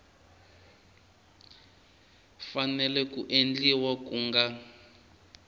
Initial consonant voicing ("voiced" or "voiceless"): voiceless